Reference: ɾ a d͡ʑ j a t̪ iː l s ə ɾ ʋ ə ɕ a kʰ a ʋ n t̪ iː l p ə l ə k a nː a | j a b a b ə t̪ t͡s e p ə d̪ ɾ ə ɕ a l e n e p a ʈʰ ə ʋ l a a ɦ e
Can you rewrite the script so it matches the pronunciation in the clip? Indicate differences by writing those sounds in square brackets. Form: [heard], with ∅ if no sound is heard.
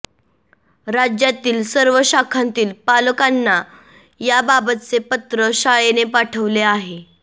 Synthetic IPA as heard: ɾ a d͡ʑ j a t̪ iː l s ə ɾ ʋ ə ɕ a kʰ a [∅] n t̪ iː l p [a] l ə k a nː a | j a b a b ə t̪ t͡s e p ə [t̪] ɾ ə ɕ a [ɭ] e n e p a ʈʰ ə ʋ l [e] a ɦ e